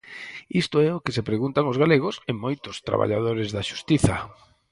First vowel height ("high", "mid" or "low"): high